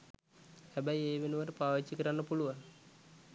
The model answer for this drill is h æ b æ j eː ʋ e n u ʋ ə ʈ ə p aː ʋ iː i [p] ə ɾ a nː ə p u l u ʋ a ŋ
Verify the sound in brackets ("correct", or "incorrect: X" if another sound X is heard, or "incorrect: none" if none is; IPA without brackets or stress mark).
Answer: incorrect: k